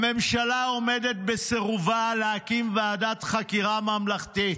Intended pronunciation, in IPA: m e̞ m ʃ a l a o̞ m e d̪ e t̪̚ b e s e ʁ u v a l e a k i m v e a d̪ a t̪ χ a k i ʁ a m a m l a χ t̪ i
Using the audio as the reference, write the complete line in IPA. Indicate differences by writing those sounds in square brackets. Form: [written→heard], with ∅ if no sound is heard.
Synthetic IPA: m e̞ m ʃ a l a o̞ m e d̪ e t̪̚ b e s e ʁ u v a l e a k i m v e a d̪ a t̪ χ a k i ʁ a m a m l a χ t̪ i